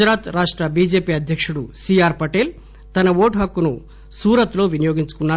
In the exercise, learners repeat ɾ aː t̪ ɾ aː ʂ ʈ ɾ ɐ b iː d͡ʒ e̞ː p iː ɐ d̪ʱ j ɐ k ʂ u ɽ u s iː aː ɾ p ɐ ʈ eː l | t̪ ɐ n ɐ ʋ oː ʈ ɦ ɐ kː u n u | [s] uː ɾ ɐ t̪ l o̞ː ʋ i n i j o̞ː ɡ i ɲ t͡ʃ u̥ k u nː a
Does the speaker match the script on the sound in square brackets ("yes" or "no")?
yes